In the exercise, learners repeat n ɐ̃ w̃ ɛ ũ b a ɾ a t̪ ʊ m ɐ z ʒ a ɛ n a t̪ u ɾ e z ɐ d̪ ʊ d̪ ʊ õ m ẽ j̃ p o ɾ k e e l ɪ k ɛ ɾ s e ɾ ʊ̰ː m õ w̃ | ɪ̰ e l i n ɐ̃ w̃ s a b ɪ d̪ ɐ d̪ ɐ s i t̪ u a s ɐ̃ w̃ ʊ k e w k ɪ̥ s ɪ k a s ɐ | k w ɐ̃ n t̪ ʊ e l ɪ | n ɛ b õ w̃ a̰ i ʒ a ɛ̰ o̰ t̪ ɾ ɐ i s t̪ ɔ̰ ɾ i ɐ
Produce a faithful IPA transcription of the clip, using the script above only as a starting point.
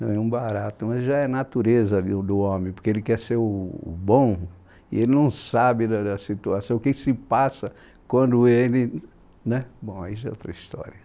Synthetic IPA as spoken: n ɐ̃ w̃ ɛ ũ b a ɾ a t̪ ʊ m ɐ z ʒ a ɛ n a t̪ u ɾ e z ɐ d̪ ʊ d̪ ʊ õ m ẽ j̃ p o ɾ k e e l ɪ k ɛ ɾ s e ɾ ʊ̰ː b õ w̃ | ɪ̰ e l ɪ n ɐ̃ w̃ s a b ɪ d̪ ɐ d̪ ɐ s i t̪ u a s ɐ̃ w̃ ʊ k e k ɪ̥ s ɪ p a s ɐ | k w ɐ̃ n d̪ ʊ e l ɪ | n ɛ b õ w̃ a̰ i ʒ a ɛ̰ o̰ t̪ ɾ ɐ i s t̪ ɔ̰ ɾ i ɐ

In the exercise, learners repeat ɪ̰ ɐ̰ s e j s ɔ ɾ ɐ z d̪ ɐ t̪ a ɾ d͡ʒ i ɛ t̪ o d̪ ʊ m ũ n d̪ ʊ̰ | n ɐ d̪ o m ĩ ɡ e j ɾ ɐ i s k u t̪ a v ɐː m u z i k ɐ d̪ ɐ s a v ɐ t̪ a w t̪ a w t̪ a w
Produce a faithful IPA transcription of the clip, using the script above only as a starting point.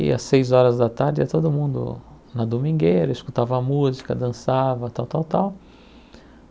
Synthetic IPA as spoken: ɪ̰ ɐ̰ s e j z ɔ ɾ ɐ z d̪ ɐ t̪ a ɾ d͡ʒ ɪ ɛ t̪ o d̪ ʊ m ũ n d̪ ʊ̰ | n ɐ d̪ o m ĩ ɡ e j ɾ ɐ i s k u t̪ a v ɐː m u z i k ɐ d̪ ɐ̃ s a v ɐ t̪ a w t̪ a w t̪ a w

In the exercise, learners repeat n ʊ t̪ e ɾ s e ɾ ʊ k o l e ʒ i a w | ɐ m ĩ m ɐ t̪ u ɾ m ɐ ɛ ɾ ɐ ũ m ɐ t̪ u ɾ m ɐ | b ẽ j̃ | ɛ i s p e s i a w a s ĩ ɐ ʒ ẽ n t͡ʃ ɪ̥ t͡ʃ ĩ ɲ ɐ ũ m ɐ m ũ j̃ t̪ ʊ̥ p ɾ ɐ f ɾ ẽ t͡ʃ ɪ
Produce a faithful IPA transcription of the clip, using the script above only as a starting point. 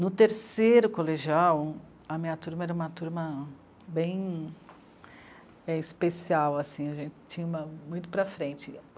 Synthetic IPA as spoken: n ʊ t̪ e ɾ s e ɾ ʊ k o l e ʒ i a w | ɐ m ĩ ɲ ɐ t̪ u ɾ m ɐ ɛ ɾ ɐ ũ m ɐ t̪ u ɾ m ɐ | b ẽ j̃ | ɛ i s p e s i a w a s ĩ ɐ ʒ ẽ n t͡ʃ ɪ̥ t͡ʃ ĩ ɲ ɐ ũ m ɐ m ũ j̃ t̪ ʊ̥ p ɾ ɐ f ɾ ẽ t͡ʃ ɪ

